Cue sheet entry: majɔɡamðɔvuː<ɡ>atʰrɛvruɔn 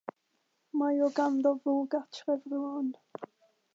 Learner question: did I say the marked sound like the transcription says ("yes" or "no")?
yes